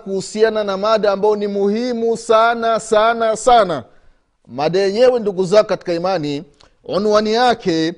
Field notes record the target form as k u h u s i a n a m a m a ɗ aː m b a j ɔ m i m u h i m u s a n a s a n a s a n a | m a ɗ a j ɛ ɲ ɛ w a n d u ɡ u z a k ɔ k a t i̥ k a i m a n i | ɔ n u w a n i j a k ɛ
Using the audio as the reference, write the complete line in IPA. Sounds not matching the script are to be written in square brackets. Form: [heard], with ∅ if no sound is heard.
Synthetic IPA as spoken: k u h u s i a n a [n] a m a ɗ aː m b a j ɔ [n] i m u h i m u s a n a s a n a s a n a | m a ɗ a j ɛ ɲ ɛ w [ɛ] n d u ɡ u z a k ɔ k a t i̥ k a i m a n i | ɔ n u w a n i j a k ɛ